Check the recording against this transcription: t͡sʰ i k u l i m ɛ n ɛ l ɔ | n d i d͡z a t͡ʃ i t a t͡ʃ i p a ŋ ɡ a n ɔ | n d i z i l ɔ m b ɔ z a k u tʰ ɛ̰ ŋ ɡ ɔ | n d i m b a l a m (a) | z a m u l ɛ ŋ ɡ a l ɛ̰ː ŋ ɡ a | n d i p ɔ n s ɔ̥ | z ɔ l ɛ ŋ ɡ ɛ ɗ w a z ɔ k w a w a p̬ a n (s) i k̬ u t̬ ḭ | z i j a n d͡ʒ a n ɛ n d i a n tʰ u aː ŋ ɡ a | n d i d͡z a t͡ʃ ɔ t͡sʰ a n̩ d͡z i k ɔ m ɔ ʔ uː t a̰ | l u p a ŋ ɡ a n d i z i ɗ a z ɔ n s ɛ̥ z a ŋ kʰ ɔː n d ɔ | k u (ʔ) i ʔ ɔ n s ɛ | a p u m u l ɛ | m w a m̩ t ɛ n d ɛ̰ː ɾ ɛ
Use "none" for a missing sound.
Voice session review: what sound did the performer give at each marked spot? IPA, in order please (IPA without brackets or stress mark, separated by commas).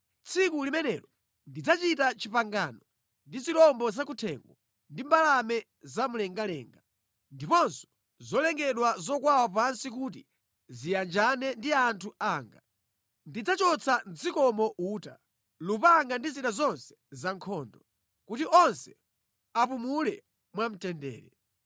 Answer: ɛ, s, t